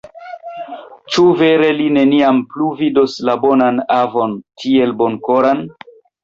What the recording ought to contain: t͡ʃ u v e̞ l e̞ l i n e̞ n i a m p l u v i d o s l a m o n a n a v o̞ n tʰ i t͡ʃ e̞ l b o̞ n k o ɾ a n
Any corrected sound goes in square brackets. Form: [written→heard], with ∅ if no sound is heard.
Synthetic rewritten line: t͡ʃ u v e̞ [l→ɾ] e̞ l i n e̞ n i a m p l u v i d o s l a [m→b] o n a n a v o̞ n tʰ i [t͡ʃ→∅] e̞ l b o̞ n k o ɾ a n